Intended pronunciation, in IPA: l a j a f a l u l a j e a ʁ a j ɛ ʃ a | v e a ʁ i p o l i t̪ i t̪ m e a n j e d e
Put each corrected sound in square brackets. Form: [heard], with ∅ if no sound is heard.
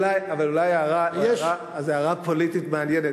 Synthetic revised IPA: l a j a [v] a l u l a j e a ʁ a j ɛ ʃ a | [z] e a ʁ [a] p o l i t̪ i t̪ m e a n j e [n] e